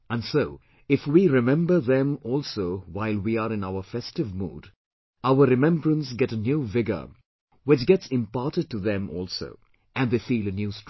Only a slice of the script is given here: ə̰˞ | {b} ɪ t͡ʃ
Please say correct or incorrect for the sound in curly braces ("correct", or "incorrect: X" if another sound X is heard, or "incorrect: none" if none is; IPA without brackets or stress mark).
incorrect: w